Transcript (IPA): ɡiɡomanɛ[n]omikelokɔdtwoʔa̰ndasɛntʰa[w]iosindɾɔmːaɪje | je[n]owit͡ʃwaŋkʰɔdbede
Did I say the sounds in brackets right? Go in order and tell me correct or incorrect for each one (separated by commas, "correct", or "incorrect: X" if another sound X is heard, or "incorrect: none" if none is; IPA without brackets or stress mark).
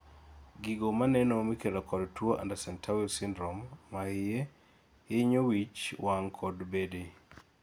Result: correct, correct, incorrect: ɲ